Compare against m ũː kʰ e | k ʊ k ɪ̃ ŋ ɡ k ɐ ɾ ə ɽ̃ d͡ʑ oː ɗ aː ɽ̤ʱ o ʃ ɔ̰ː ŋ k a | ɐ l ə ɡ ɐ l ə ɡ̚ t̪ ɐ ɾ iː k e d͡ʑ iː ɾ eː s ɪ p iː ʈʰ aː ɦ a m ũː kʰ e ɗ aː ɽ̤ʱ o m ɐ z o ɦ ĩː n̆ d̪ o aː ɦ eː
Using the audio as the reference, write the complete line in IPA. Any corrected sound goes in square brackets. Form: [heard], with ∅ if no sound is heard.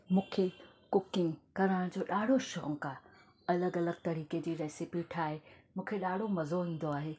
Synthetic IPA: m ũː kʰ e | k ʊ k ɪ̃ ŋ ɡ k ɐ ɾ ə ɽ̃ d͡ʑ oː ɗ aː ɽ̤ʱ o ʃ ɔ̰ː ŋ k a | ɐ l ə ɡ ɐ l ə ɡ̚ t̪ ɐ ɾ iː k e d͡ʑ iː ɾ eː s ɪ p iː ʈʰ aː ɦ [e] m ũː kʰ e ɗ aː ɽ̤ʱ o m ɐ z o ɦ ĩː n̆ d̪ o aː ɦ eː

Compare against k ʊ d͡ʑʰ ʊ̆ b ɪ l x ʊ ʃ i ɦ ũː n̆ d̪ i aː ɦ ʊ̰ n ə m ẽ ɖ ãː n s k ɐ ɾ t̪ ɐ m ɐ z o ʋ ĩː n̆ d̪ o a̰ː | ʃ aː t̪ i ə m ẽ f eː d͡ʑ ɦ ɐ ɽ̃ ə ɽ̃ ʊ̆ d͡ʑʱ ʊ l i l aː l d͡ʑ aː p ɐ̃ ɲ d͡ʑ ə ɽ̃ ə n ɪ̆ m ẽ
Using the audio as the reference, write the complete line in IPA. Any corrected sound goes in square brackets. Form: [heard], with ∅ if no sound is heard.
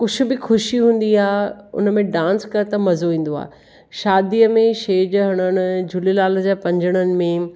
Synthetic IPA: k ʊ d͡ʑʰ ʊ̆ b ɪ [∅] x ʊ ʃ i ɦ ũː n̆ d̪ i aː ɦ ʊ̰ n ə m ẽ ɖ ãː n s k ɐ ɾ t̪ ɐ m ɐ z o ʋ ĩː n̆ d̪ o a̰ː | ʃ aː [d̪] i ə m ẽ [ʃ] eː d͡ʑ ɦ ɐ ɽ̃ ə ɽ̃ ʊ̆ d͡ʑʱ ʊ l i l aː l d͡ʑ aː p ɐ̃ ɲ d͡ʑ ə ɽ̃ ə n ɪ̆ m ẽ

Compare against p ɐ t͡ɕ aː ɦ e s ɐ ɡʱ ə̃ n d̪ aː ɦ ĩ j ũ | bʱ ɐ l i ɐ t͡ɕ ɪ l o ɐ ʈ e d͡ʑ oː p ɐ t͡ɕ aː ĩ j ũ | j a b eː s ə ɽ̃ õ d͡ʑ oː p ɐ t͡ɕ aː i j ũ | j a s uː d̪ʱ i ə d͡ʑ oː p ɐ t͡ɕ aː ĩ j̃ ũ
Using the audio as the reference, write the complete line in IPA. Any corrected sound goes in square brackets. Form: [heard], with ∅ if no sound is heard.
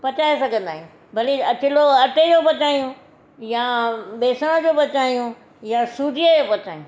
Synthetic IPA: p ɐ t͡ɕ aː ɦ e s ɐ ɡʱ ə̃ n d̪ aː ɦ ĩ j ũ | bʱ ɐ l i ɐ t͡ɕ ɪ l o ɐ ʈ e d͡ʑ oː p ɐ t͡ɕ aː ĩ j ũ | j a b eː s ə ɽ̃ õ d͡ʑ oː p ɐ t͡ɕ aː i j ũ | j a s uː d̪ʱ i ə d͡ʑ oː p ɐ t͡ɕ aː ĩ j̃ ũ

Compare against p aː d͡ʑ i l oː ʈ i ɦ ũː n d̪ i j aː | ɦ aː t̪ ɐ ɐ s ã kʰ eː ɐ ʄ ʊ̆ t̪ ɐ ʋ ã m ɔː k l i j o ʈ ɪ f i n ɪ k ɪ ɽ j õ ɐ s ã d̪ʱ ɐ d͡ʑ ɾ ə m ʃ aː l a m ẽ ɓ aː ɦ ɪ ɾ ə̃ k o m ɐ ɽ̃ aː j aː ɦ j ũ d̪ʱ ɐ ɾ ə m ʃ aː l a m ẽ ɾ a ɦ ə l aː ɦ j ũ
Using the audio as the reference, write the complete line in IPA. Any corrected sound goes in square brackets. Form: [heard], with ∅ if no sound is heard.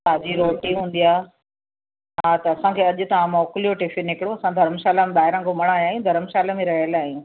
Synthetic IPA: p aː d͡ʑ i [ɾ] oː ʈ i ɦ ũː n d̪ i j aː | ɦ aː t̪ ɐ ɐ s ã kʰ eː ɐ ʄ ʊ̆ t̪ ɐ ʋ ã m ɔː k l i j o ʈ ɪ f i n ɪ k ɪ ɽ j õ ɐ s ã d̪ʱ ɐ [∅] ɾ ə m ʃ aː l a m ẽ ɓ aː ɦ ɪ ɾ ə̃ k o m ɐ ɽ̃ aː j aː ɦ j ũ d̪ʱ ɐ ɾ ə m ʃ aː l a m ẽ ɾ [ɐ] ɦ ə l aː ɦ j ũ

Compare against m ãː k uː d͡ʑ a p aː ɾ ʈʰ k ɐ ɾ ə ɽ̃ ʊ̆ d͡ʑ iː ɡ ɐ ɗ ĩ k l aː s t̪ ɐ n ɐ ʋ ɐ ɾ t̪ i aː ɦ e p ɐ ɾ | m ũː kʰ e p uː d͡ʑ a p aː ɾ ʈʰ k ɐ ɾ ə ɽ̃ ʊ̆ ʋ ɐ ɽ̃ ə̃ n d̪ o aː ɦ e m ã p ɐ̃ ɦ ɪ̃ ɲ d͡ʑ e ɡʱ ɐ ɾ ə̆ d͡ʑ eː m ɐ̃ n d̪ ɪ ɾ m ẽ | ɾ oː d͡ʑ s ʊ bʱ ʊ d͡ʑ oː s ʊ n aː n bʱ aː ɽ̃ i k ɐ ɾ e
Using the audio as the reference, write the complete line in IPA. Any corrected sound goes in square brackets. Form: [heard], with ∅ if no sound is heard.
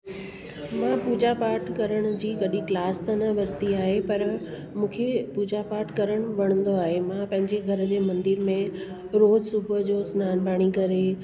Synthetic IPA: m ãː [p] uː d͡ʑ a p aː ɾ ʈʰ k ɐ ɾ ə ɽ̃ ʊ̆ d͡ʑ iː ɡ ɐ ɗ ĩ k l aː s t̪ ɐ n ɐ ʋ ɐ ɾ t̪ i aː ɦ e p ɐ ɾ | m ũː kʰ e p uː d͡ʑ a p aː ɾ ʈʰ k ɐ ɾ ə ɽ̃ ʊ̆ ʋ ɐ ɽ̃ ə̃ n d̪ o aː ɦ e m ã p ɐ̃ ɦ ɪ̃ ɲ d͡ʑ e ɡʱ ɐ ɾ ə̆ d͡ʑ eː m ɐ̃ n d̪ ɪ ɾ m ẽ | ɾ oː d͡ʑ s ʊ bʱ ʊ d͡ʑ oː s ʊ n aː n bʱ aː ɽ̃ i k ɐ ɾ e

